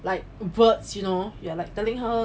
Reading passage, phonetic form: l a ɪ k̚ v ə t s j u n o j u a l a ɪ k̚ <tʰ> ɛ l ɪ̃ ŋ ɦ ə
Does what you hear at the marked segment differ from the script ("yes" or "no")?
yes